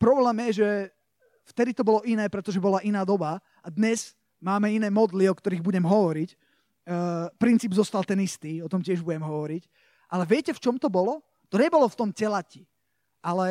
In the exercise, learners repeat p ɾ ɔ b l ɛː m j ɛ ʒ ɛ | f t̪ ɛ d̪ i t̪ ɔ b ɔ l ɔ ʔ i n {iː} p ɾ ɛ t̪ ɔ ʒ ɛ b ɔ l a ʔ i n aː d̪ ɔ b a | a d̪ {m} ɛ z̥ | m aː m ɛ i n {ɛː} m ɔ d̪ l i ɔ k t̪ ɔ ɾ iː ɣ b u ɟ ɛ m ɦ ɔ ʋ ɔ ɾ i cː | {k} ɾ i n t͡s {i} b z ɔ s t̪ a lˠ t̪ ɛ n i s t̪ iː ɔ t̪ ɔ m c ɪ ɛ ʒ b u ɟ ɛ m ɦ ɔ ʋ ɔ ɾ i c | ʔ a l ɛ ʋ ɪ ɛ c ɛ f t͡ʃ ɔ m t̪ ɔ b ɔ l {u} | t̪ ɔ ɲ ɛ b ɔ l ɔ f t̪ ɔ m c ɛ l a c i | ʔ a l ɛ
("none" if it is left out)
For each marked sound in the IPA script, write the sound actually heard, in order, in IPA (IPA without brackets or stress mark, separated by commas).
ɛː, ɲ, ɛː, p, iː, ɔ